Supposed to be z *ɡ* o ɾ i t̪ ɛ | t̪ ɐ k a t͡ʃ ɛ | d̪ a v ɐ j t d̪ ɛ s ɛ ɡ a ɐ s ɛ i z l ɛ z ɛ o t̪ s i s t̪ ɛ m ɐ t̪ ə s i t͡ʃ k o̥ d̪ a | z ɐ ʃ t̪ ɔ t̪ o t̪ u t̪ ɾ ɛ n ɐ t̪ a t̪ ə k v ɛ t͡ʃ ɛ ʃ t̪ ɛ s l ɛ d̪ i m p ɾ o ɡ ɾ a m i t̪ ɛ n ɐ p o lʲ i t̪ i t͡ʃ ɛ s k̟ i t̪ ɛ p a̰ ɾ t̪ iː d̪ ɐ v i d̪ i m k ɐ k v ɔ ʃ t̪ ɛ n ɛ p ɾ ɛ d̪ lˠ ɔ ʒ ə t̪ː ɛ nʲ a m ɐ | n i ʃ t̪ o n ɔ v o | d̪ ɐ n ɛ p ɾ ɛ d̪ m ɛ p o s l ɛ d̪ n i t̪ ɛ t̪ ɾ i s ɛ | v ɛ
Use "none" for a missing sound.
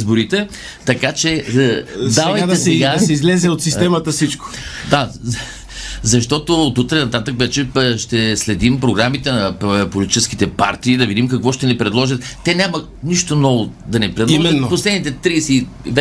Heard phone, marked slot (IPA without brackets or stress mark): b